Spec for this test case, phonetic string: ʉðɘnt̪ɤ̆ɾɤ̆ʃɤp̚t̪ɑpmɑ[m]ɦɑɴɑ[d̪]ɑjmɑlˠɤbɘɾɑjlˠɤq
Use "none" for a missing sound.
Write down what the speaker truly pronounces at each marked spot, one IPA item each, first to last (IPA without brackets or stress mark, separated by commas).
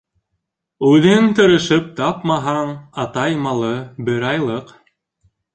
none, t̪